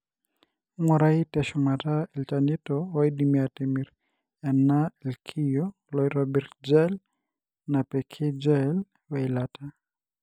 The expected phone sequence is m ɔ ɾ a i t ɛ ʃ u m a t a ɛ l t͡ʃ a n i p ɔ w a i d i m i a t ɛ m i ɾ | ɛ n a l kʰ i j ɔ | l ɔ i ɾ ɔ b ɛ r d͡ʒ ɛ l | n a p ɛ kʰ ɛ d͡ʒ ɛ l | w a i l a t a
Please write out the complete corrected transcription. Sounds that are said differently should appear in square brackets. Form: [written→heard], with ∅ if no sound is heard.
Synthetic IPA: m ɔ ɾ a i t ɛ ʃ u m a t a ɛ l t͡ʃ a n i [p→t] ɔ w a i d i m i a t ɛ m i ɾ | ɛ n a l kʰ i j ɔ | l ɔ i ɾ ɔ b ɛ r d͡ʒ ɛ l | n a p ɛ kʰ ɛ d͡ʒ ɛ l | w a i l a t a